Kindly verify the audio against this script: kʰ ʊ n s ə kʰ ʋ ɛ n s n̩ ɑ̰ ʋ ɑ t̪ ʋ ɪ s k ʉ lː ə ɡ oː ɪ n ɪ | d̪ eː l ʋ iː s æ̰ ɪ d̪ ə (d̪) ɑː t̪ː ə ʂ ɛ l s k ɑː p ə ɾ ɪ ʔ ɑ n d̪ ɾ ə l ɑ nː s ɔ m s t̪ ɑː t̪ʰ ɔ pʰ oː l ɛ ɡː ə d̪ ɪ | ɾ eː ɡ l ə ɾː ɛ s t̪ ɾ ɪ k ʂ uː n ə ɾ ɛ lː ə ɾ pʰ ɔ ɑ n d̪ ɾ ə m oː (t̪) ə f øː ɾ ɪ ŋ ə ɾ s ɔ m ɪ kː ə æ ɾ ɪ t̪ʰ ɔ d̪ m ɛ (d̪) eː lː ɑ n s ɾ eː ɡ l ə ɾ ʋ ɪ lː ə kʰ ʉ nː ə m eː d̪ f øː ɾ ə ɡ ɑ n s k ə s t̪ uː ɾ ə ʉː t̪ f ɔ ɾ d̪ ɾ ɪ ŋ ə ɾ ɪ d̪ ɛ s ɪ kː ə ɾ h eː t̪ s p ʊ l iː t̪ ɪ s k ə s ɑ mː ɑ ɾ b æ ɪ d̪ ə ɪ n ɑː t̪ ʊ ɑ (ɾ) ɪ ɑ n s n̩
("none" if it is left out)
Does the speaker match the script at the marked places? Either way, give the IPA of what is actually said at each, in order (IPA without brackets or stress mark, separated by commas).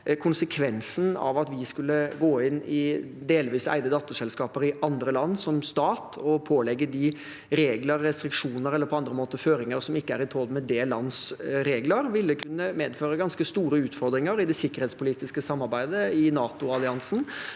d̪, t̪, d̪, l